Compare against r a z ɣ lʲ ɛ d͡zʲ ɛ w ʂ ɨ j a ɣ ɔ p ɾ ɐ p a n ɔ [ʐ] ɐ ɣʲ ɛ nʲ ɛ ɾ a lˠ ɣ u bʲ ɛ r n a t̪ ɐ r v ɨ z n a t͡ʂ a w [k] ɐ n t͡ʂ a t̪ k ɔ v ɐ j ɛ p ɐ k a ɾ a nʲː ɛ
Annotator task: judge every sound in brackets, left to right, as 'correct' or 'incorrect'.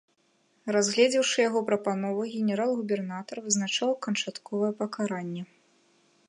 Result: incorrect: v, correct

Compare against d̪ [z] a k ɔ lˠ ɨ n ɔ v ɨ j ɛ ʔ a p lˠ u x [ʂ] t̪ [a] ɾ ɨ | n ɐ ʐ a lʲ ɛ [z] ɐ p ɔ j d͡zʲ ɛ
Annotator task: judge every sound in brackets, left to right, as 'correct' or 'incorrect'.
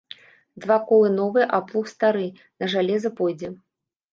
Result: incorrect: v, incorrect: s, correct, correct

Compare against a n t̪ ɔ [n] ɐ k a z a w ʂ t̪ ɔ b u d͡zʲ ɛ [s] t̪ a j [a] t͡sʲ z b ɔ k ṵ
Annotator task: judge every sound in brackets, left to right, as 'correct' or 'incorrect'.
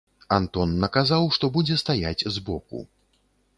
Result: incorrect: nː, correct, correct

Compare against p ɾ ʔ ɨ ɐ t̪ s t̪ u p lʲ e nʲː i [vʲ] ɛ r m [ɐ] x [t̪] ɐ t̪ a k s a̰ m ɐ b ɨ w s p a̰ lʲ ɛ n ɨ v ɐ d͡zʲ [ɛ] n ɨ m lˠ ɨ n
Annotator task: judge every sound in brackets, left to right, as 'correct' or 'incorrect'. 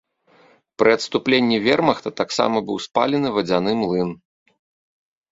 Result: correct, correct, correct, incorrect: a

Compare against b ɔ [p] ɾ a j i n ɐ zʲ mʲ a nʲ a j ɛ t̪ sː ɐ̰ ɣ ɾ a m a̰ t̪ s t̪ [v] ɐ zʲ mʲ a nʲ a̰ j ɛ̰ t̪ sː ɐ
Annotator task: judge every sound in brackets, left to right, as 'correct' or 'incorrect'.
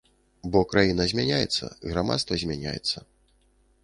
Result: incorrect: k, correct

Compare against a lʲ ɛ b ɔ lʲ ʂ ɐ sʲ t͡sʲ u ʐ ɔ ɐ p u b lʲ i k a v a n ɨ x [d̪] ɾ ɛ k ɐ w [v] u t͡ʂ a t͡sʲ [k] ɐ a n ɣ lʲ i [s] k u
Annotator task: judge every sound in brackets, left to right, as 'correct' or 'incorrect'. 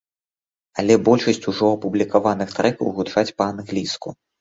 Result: incorrect: t̪, incorrect: ɣ, incorrect: p, correct

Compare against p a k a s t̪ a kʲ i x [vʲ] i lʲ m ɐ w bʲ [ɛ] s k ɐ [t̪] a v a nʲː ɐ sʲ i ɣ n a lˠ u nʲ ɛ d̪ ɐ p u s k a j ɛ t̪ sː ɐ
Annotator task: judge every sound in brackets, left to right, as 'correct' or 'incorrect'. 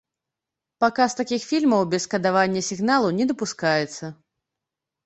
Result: incorrect: fʲ, correct, incorrect: d̪

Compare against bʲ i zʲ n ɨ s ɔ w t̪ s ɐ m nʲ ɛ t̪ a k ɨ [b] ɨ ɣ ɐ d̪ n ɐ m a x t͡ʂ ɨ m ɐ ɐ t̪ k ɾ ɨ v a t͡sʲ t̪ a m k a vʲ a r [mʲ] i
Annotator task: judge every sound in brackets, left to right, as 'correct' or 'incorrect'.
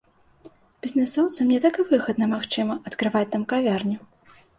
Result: incorrect: v, incorrect: nʲ

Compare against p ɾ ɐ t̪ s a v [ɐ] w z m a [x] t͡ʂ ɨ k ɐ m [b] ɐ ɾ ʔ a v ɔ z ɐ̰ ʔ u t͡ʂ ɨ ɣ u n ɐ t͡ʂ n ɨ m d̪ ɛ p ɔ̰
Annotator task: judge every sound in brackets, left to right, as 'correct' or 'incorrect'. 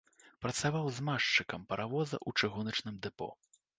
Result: incorrect: a, incorrect: ʂ, incorrect: p

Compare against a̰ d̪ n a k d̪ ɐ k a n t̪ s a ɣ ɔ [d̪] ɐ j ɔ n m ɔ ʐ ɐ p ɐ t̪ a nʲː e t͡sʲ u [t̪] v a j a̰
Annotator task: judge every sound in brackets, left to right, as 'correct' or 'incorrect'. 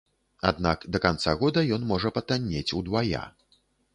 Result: correct, incorrect: d̪

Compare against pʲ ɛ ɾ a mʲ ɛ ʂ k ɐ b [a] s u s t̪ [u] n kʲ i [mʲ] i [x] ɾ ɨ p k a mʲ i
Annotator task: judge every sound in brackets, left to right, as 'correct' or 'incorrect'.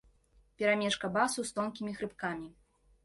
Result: correct, incorrect: ɔ, correct, correct

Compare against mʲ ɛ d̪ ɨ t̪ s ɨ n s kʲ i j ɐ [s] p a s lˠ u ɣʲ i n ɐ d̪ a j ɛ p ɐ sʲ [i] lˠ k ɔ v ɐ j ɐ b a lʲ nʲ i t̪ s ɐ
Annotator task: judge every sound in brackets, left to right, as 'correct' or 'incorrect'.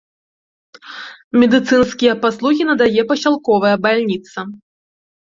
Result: incorrect: none, incorrect: a

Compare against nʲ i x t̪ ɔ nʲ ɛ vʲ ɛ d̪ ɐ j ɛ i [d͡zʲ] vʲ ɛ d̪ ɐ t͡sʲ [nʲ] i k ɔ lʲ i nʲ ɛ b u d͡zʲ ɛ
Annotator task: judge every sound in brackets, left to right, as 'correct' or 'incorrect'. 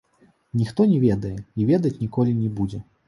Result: incorrect: none, correct

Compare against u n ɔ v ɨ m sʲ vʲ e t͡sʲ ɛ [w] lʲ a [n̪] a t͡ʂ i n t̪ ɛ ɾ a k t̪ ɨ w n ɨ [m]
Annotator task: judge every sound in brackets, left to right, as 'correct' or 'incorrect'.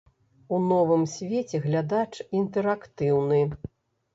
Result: incorrect: ɣ, incorrect: d̪, incorrect: none

